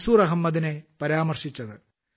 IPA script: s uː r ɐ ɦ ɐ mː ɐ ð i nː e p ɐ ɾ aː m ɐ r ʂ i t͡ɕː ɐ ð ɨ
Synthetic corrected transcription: s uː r ɐ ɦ ɐ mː ɐ ð i n e p ɐ ɾ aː m ɐ r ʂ i t͡ɕː ɐ ð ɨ

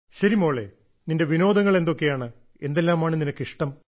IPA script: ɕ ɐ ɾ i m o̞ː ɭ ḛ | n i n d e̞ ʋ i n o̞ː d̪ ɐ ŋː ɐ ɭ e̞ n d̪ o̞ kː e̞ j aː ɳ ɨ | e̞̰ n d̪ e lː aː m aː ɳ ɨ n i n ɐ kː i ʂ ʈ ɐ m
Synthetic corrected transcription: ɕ ɐ ɾ i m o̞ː ɭ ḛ | n i n d e̞ ʋ i n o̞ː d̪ ɐ ŋː ɐ ɭ e̞ n d̪ o̞ kː e̞ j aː ɳ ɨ | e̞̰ n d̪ e lː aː m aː ɳ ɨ n i n ɐ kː i ʂ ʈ ɐ m

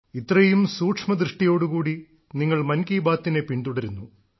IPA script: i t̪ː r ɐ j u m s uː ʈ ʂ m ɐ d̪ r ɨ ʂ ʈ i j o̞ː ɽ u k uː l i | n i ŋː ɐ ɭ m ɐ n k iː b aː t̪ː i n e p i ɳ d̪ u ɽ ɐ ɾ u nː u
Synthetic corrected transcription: i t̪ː r ɐ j u m s uː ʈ ʂ m ɐ d̪ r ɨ ʂ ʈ i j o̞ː ɽ u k uː ɽ i | n i ŋː ɐ ɭ m ɐ n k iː b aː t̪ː i n e p i ɳ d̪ u ɽ ɐ ɾ u nː u

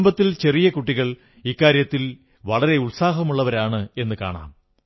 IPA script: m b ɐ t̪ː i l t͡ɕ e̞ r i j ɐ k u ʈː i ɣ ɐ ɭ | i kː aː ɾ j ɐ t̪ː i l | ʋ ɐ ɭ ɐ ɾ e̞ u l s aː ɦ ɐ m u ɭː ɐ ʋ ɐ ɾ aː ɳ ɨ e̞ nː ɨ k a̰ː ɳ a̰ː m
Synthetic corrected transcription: m b ɐ t̪ː i l t͡ɕ e̞ r i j ɐ k u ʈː i ɣ ɐ ɭ | i kː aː ɾ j ɐ t̪ː i l | ʋ ɐ ɭ ɐ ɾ e̞ u ɭ s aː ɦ ɐ m u ɭː ɐ ʋ ɐ ɾ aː ɳ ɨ e̞ nː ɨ k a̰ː ɳ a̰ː m

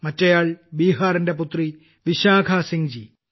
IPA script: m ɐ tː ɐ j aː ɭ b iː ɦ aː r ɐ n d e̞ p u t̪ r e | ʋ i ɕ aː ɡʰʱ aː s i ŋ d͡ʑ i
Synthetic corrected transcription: m ɐ tː ɐ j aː ɭ b iː ɦ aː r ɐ n d e̞ p u t̪ r i | ʋ i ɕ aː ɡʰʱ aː s i ŋ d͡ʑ i

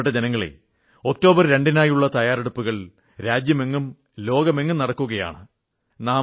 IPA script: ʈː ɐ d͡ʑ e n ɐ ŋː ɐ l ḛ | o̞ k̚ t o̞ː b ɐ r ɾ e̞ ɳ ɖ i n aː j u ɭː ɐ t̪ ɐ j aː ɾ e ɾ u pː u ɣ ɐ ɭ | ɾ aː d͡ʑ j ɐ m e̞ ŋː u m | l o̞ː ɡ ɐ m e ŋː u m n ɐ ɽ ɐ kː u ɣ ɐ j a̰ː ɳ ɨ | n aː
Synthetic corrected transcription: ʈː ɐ d͡ʑ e n ɐ ŋː ɐ ɭ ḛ | o̞ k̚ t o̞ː b ɐ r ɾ e̞ ɳ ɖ i n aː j u ɭː ɐ t̪ ɐ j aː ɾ e ɽ u pː u ɣ ɐ ɭ | ɾ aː d͡ʑ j ɐ m e̞ ŋː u m | l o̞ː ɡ ɐ m e ŋː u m n ɐ ɽ ɐ kː u ɣ ɐ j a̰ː ɳ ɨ | n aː

